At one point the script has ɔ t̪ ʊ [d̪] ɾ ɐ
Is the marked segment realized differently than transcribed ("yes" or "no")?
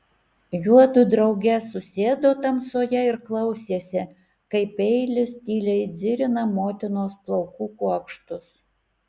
no